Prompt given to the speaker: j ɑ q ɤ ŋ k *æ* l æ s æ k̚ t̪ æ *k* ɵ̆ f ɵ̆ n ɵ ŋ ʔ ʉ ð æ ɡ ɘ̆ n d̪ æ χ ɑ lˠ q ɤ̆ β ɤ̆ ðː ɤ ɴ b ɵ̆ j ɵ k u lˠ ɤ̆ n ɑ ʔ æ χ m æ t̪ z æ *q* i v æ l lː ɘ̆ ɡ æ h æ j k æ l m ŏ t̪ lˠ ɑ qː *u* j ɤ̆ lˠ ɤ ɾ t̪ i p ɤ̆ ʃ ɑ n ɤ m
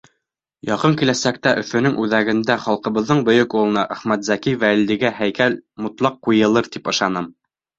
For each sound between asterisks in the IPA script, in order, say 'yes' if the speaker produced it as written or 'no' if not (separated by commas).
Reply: no, no, no, yes